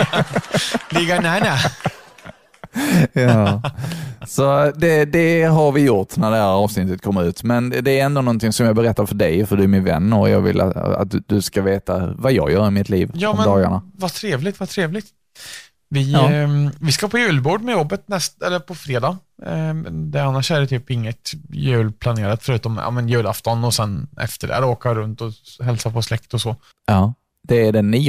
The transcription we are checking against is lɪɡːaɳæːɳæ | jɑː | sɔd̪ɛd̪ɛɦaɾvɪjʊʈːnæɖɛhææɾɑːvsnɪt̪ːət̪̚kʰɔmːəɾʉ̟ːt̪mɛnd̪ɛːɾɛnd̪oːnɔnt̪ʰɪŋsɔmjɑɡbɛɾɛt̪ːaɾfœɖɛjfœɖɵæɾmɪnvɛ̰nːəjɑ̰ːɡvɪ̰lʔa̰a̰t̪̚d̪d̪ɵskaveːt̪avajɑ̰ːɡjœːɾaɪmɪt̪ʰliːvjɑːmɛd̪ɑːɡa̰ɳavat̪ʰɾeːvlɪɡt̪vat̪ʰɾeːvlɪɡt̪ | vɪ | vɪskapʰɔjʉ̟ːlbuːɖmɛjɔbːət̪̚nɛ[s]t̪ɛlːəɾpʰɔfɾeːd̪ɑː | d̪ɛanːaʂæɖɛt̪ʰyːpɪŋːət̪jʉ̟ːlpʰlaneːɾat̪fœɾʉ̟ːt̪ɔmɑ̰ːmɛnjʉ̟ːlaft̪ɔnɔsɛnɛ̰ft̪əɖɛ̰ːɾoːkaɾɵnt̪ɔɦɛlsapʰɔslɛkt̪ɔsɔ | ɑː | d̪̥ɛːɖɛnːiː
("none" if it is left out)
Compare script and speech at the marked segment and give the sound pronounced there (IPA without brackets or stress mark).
s